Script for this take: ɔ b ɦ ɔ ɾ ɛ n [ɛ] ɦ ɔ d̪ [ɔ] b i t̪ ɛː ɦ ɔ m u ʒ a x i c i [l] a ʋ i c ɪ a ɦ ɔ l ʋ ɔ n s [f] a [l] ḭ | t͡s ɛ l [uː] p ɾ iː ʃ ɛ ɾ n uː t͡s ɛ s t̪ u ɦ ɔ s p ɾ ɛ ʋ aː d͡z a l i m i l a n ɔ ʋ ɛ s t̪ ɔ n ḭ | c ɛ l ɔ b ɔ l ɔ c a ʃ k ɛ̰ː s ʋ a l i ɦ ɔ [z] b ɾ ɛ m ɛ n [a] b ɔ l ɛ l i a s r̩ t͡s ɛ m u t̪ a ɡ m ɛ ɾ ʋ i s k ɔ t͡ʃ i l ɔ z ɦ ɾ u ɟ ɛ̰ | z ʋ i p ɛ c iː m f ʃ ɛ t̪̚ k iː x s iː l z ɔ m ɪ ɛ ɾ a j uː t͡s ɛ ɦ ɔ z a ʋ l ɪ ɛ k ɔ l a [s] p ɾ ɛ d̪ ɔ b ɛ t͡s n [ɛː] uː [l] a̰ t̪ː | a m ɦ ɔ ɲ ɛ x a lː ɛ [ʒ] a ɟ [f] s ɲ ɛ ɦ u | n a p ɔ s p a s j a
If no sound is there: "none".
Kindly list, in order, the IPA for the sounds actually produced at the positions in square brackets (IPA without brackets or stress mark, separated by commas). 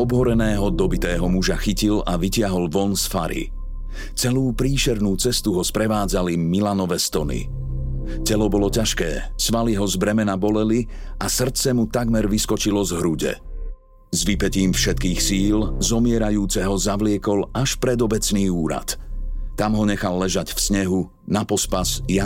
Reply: ɛː, ɔ, l, f, ɾ, uː, z, a, ʃ, iː, ɾ, ʒ, f